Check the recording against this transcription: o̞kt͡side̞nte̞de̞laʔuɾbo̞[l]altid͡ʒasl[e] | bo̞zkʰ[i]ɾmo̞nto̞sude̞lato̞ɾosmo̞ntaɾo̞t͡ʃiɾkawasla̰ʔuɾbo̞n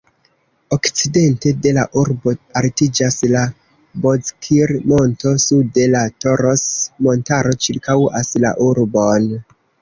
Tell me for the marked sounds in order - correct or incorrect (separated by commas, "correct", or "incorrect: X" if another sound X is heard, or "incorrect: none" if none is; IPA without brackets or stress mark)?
incorrect: none, incorrect: a, correct